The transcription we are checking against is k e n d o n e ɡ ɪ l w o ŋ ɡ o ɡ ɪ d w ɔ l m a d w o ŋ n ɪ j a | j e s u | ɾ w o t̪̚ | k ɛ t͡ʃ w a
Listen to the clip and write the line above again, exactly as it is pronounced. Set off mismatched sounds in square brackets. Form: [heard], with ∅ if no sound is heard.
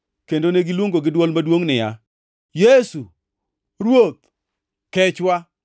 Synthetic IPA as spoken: k e n d o n e ɡ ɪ l w o ŋ ɡ o ɡ ɪ d w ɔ l m a d w o ŋ n ɪ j a | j e s u | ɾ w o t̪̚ | k ɛ t͡ʃ w a

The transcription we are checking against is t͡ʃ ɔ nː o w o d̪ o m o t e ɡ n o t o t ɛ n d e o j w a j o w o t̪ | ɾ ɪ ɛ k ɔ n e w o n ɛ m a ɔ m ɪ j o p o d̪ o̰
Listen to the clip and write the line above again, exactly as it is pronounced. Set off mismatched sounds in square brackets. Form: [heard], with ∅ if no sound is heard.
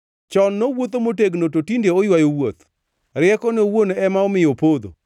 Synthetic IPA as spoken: t͡ʃ ɔ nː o w o [t̪] o m o t e ɡ n o t o t [i] n d e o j w a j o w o t̪ | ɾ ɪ ɛ k ɔ n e w o n ɛ m a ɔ m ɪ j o p o d̪ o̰

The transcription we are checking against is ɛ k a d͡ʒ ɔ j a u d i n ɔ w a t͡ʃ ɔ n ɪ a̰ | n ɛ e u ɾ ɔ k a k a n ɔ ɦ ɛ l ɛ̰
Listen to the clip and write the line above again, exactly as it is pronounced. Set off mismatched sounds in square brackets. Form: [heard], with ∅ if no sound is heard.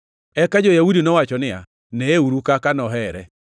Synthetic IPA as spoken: ɛ k a d͡ʒ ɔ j a u d i n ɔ w a t͡ʃ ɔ n ɪ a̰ | n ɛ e u ɾ [u] k a k a n ɔ ɦ ɛ [ɾ] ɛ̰

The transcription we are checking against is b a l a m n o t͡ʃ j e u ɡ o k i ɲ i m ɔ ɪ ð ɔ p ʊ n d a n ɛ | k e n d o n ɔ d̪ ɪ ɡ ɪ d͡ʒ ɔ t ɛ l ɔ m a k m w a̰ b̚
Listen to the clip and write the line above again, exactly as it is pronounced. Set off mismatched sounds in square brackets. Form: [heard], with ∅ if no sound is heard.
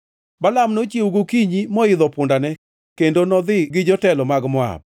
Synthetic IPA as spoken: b a l a m n o t͡ʃ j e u ɡ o k i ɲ i m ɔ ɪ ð ɔ p ʊ n d a n ɛ | k e n d o n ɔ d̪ ɪ ɡ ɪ d͡ʒ ɔ t ɛ l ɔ m a [ɡ] m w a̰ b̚

